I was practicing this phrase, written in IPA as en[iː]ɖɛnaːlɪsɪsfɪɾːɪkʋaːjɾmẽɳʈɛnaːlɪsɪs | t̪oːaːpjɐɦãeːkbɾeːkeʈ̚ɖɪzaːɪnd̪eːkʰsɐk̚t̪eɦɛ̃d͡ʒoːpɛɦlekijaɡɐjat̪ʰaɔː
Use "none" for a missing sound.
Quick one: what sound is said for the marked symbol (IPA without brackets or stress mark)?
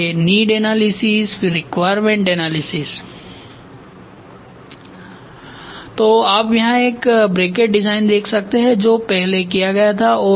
iː